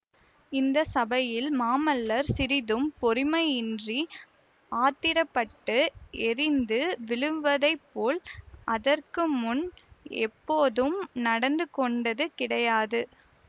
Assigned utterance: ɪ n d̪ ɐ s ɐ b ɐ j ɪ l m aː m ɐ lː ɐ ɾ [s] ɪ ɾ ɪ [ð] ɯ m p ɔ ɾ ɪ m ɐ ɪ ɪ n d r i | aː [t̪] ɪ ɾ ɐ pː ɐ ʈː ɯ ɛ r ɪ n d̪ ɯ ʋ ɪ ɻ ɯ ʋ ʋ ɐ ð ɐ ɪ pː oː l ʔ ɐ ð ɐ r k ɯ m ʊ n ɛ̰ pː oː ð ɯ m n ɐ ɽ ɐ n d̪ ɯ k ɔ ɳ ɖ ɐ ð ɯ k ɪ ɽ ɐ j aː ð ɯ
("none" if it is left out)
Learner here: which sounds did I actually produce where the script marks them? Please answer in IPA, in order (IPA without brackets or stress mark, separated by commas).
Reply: s, ð, t̪